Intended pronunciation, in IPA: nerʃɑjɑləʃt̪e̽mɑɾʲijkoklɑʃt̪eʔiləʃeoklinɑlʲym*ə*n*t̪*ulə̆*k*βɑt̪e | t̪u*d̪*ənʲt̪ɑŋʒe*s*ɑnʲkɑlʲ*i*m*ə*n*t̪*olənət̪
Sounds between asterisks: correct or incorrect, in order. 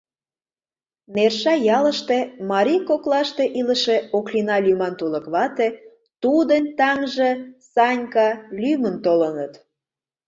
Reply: incorrect: ɑ, correct, correct, correct, correct, incorrect: y, correct, correct

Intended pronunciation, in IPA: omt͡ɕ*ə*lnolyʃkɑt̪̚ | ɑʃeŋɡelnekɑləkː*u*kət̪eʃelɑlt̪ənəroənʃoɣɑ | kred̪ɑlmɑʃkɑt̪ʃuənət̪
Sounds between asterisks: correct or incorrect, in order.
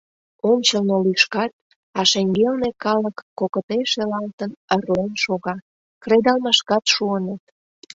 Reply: correct, incorrect: o

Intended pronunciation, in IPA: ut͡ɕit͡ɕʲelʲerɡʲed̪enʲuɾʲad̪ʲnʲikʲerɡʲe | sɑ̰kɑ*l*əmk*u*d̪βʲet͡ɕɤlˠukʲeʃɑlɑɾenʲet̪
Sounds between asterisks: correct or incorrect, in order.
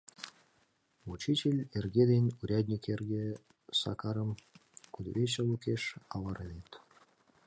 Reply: incorrect: ɾ, correct

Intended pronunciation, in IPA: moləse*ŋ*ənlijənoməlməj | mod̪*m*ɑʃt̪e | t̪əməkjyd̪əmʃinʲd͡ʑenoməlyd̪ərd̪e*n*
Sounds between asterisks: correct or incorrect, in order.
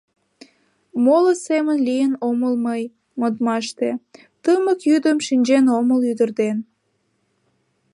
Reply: incorrect: m, correct, correct

